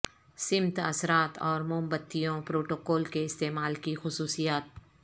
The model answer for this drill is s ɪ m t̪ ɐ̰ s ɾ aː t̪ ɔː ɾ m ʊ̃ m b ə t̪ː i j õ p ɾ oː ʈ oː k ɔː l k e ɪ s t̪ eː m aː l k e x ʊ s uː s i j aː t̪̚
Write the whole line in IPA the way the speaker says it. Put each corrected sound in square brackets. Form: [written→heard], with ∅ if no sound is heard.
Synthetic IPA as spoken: s ɪ m t̪ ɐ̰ s ɾ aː t̪ ɔː ɾ m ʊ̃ m b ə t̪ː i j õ p ɾ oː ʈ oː k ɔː l k e ɪ s t̪ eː m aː l k [e→i] x ʊ s uː s i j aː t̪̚